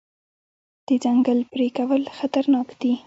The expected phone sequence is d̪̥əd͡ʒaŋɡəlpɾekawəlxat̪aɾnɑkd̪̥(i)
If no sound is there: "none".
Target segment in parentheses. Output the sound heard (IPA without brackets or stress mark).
i